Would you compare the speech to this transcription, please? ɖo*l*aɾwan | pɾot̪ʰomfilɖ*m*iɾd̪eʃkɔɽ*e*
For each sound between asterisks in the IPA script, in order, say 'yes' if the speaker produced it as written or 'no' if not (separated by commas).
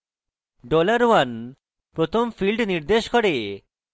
yes, no, yes